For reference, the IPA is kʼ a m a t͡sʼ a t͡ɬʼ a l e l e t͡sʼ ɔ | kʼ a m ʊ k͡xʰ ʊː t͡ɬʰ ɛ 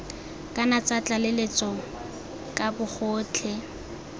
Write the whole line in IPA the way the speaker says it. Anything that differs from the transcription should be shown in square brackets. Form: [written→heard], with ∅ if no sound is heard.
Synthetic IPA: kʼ a [m→n] a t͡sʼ a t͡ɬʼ a l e l e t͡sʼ ɔ | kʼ a [m→b] ʊ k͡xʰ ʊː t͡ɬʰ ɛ